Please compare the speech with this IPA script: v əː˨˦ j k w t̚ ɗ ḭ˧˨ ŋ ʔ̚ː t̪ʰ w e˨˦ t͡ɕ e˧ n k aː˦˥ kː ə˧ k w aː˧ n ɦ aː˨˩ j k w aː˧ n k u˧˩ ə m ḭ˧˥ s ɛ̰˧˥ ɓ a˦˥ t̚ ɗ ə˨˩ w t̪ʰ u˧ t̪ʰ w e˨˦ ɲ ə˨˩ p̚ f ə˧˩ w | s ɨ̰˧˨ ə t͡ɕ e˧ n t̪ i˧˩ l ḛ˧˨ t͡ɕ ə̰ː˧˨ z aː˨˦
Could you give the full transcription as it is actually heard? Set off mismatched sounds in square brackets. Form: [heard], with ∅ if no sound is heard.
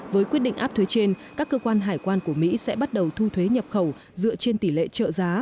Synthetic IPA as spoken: v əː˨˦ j k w t̚ ɗ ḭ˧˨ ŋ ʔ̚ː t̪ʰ w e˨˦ t͡ɕ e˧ n k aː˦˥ kː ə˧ k w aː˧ n ɦ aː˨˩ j k w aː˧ n k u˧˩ ə m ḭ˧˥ s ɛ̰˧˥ ɓ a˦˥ t̚ ɗ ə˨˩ w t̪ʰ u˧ t̪ʰ w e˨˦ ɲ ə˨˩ p̚ [x] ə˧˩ w | [z] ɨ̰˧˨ ə t͡ɕ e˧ n t̪ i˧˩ l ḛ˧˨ t͡ɕ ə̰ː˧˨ z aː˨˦